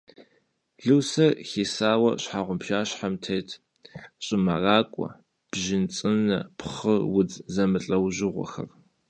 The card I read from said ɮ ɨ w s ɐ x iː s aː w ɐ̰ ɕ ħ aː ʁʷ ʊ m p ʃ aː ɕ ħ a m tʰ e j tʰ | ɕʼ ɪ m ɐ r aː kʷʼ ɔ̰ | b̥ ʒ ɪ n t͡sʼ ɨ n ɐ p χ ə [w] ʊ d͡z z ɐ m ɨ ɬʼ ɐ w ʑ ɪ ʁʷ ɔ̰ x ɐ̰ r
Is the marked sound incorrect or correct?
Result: correct